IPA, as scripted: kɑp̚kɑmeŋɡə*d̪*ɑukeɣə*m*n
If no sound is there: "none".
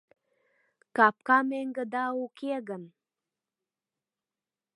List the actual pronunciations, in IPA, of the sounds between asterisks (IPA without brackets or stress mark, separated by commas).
d̪, none